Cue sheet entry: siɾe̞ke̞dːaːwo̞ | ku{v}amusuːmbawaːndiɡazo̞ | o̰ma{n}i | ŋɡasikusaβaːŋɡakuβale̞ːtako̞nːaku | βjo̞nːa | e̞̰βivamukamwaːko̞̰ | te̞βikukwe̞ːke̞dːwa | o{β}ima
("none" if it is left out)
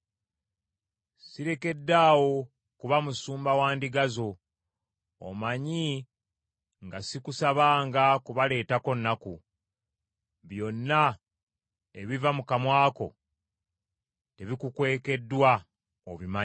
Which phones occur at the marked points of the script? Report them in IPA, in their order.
β, ɲ, β

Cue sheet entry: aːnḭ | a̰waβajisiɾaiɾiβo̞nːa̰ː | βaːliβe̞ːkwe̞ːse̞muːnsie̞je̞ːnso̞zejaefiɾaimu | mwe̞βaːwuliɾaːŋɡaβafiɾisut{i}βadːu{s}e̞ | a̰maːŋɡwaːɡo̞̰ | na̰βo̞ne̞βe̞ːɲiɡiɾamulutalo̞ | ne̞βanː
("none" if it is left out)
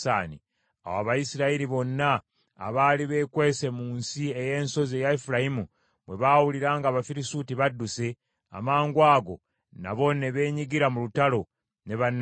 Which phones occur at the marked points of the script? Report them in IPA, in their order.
i, s

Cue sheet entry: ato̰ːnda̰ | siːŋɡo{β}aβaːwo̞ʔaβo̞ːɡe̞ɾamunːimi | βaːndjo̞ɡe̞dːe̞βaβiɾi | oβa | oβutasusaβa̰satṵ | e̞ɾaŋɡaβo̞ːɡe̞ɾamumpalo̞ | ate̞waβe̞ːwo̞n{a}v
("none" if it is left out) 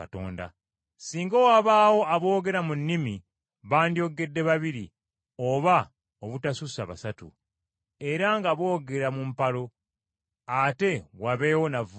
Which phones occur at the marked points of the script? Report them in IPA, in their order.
w, a

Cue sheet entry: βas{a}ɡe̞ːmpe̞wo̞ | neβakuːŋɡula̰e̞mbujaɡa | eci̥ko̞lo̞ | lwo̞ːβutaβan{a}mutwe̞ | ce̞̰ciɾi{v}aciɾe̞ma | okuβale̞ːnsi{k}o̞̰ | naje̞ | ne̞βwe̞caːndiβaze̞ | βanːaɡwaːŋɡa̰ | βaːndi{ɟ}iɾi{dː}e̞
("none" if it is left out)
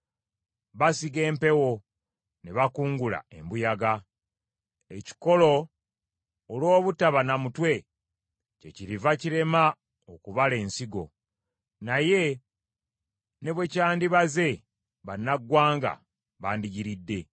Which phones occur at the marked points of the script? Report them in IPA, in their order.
i, a, v, ɡ, ɟ, dː

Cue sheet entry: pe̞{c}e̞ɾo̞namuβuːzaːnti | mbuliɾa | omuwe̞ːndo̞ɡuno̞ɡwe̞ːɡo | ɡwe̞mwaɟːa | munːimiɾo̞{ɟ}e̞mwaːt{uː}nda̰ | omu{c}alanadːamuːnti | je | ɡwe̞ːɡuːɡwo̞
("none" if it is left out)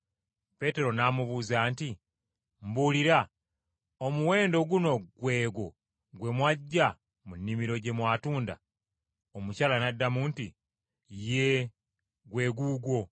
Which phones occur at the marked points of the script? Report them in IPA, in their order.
t, ɟ, uː, c

